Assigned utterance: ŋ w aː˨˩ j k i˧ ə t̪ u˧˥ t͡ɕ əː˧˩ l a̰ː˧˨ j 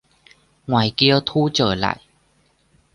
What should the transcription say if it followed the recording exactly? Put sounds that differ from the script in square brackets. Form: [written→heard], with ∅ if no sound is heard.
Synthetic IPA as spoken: ŋ w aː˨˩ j k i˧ ə [t̪→t̪ʰ] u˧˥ t͡ɕ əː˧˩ l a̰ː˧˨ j